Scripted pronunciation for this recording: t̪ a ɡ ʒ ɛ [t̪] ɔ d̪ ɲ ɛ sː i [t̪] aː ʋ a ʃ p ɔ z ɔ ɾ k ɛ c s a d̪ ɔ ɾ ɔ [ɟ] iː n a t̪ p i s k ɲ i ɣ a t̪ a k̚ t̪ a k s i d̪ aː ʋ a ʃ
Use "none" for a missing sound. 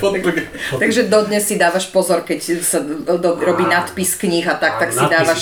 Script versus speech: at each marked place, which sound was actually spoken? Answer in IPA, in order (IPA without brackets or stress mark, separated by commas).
d̪, d̪, b